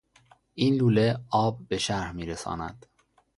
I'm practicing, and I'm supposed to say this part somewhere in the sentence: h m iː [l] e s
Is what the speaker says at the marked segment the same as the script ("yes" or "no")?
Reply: no